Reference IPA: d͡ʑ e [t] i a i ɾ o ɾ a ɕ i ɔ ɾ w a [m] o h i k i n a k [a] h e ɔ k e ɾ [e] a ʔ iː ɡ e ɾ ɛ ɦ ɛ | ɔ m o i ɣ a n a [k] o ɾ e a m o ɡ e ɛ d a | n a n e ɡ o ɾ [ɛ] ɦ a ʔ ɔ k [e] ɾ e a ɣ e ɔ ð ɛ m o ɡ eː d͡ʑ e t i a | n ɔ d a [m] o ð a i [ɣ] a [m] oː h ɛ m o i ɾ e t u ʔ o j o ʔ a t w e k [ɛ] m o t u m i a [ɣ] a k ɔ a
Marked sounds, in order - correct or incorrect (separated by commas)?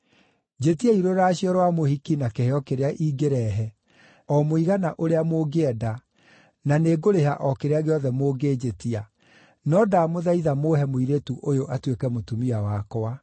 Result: correct, correct, incorrect, correct, incorrect, incorrect, correct, correct, incorrect, correct, correct, incorrect